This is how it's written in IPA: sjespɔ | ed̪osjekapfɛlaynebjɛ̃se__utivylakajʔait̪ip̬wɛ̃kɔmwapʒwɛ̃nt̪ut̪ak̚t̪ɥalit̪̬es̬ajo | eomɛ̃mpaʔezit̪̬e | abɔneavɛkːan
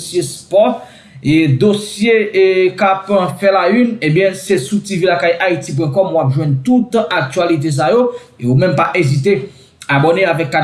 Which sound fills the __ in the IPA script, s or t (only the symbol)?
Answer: s